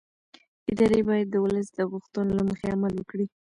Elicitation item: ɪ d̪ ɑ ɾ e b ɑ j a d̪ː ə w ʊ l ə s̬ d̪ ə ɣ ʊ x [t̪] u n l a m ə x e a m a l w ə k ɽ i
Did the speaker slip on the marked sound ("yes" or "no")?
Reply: no